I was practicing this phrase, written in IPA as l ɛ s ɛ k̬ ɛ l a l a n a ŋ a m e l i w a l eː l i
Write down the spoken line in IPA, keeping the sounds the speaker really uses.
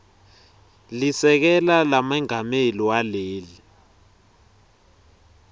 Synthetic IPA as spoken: l i s ɛ k̬ ɛ l a l a m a ŋ a m e l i w a l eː l i

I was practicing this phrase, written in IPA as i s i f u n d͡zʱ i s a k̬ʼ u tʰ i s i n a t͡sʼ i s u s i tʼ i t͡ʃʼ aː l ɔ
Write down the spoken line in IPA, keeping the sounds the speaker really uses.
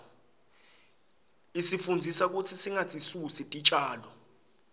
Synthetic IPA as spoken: i s i f u n d͡zʱ i s a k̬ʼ u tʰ i s i ŋ a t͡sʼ i s u s i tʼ i t͡ʃʼ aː l ɔ

